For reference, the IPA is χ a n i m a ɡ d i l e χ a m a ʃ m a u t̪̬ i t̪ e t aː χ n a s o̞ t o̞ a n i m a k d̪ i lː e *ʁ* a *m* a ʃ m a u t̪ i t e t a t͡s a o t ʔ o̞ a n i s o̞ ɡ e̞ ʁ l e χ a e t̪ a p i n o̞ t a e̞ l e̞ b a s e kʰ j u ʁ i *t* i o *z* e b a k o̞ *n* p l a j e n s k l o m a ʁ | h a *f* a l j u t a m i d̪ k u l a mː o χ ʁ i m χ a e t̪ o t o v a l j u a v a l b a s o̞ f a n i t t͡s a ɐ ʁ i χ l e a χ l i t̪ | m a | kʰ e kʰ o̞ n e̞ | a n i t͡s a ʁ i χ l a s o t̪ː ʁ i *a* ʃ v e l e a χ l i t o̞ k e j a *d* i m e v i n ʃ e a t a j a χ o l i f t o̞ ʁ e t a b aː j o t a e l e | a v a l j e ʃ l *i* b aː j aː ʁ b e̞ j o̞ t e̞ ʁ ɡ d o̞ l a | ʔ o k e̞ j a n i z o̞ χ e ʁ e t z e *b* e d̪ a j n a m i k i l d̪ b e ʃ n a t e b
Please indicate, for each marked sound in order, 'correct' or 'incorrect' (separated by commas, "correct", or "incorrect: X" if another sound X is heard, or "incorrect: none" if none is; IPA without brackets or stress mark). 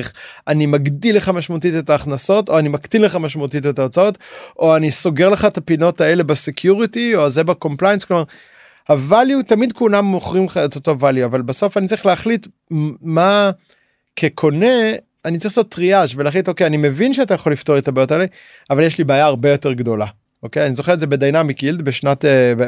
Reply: incorrect: χ, correct, correct, correct, incorrect: m, incorrect: v, correct, incorrect: n, correct, correct